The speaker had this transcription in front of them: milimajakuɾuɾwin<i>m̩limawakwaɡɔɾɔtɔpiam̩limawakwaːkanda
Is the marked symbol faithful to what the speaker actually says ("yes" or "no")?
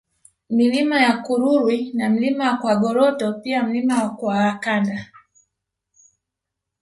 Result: no